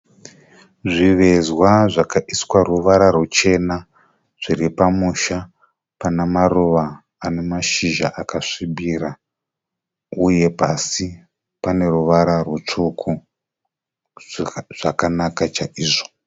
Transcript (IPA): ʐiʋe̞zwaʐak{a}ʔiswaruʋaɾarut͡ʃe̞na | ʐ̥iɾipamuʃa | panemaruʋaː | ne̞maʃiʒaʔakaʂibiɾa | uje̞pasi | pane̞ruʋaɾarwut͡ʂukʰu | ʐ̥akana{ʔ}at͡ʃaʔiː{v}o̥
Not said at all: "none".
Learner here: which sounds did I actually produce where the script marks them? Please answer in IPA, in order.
a, k, ʐ

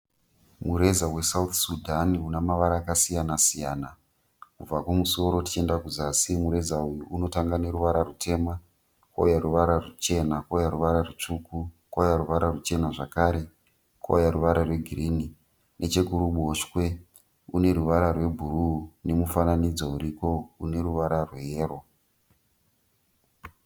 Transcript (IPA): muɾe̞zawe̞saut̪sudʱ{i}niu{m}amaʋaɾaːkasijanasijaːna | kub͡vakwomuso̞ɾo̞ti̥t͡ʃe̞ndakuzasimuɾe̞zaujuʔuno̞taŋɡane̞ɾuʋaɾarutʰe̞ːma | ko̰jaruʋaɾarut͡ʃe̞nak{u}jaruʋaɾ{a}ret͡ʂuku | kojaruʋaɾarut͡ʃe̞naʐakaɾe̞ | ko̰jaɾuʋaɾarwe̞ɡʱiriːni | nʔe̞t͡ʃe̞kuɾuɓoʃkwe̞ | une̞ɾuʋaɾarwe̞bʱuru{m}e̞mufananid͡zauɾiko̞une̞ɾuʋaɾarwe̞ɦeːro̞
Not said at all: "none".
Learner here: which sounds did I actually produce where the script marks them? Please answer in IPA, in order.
a, n, o, a, n

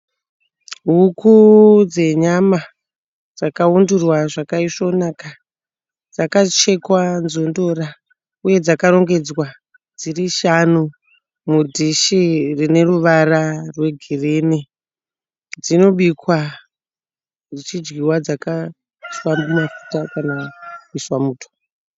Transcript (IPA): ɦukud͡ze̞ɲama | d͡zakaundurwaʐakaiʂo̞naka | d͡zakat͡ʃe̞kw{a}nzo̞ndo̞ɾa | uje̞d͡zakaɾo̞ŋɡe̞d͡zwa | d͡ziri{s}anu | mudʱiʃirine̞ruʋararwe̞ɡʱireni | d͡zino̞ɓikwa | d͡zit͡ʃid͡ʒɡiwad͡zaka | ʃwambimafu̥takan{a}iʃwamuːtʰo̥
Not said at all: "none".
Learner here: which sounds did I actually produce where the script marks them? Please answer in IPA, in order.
a, ʃ, a

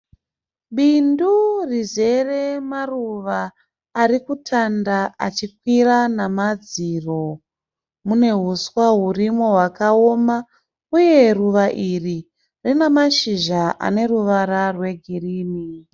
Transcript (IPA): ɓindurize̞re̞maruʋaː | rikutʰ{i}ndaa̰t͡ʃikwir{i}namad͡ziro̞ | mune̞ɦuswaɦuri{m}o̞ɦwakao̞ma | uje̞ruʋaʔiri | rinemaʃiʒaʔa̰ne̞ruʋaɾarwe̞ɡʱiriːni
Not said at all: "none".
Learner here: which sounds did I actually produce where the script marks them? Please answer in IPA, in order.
a, a, m

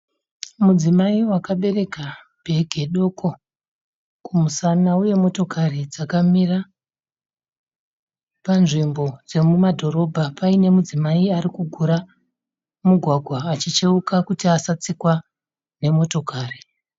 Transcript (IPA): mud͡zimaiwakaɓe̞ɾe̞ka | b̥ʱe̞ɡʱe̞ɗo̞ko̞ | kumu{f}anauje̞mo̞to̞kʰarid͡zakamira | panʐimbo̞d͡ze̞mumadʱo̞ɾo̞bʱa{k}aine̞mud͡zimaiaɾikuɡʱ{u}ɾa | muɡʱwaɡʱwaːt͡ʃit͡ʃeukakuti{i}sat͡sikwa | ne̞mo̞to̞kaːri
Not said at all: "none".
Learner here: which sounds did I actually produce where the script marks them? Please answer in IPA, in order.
s, p, u, a

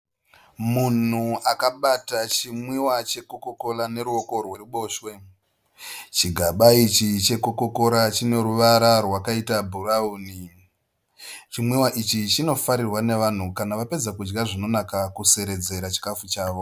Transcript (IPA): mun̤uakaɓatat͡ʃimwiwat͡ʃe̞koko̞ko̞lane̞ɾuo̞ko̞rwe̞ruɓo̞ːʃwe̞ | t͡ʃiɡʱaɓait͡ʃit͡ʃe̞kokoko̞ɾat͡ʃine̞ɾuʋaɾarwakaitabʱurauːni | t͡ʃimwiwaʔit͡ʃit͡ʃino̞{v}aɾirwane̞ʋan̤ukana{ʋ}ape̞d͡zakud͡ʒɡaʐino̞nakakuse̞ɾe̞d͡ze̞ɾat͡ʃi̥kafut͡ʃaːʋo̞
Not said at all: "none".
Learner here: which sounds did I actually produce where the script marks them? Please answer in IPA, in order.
f, ʋ

